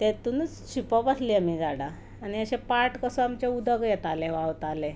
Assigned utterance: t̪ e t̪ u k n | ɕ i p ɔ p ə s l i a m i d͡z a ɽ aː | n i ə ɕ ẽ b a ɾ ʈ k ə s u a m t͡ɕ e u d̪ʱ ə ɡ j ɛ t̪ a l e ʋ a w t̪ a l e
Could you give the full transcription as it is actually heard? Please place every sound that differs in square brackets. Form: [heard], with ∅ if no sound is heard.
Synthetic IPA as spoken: t̪ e t̪ u [∅] n | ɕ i p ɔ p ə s l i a m i d͡z a ɽ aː | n i ə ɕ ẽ [p] a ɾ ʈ k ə s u a m t͡ɕ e u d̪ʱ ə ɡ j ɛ t̪ a l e ʋ a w t̪ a l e